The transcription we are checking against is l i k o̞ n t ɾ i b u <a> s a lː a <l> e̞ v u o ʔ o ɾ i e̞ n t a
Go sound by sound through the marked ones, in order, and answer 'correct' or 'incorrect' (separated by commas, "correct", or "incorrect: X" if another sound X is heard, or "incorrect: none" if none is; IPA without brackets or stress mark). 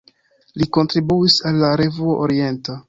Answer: incorrect: i, incorrect: ɾ